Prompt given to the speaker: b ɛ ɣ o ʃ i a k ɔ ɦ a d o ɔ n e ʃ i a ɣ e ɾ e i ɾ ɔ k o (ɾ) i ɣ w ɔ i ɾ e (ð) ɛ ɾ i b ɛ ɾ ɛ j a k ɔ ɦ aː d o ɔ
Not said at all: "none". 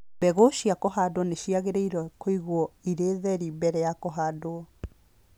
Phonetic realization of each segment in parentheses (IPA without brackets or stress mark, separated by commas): none, ð